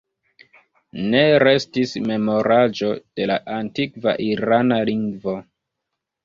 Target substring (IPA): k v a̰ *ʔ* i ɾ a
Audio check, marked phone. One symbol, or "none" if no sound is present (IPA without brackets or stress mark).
ʔ